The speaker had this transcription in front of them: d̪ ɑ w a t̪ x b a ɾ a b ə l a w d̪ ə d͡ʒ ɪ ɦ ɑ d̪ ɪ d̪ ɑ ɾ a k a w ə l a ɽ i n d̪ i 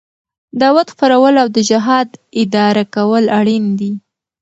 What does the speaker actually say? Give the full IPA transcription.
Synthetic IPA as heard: d̪ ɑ w a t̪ x p a ɾ a w ə l a w d̪ ə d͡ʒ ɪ ɦ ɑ d̪ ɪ d̪ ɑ ɾ a k a w ə l a ɽ i n d̪ i